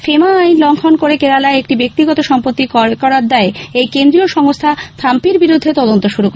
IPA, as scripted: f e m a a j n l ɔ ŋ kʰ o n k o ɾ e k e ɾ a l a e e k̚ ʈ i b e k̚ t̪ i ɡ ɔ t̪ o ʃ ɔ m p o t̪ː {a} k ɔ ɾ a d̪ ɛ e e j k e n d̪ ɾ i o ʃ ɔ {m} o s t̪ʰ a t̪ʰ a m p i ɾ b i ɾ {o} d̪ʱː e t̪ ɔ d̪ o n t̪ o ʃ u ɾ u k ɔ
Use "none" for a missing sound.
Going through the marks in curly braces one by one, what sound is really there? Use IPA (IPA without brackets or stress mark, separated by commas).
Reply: i, ŋ, u